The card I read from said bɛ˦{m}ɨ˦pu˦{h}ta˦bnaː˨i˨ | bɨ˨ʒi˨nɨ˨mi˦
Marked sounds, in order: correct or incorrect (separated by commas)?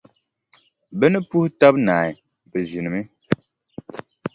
incorrect, correct